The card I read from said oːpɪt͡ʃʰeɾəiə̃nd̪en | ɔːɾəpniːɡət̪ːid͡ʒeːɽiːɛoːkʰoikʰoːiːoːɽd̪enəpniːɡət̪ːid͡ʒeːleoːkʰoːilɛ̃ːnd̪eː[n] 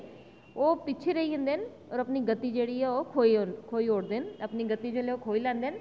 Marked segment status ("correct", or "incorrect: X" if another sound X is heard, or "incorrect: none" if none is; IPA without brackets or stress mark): correct